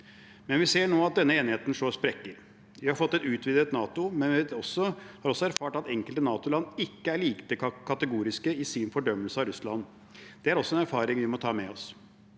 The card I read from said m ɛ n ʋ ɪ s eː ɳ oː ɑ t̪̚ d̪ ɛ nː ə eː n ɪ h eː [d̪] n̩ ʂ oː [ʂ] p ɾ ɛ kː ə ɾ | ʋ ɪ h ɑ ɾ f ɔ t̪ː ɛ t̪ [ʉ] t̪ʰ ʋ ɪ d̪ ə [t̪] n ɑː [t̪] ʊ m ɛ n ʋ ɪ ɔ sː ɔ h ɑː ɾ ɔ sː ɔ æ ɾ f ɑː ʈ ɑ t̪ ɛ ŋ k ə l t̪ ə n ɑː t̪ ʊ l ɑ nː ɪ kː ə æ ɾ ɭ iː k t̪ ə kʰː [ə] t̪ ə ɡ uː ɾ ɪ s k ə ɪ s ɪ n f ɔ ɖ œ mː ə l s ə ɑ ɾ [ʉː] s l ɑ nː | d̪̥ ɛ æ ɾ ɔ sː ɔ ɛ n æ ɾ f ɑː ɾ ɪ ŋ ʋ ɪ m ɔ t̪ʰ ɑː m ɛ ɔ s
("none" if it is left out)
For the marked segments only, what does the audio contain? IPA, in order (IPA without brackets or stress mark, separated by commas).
t̪, s, ʉː, t̪, t̪, ɑ, ʉ